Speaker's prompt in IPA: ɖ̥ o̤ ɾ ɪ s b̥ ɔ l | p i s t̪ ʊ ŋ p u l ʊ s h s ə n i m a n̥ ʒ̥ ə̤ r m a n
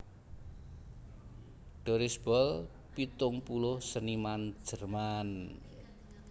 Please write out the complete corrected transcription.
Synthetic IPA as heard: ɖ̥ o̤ ɾ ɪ s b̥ ɔ l | p i t̪ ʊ ŋ p u l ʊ h s ə n i m a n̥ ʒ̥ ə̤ r m a n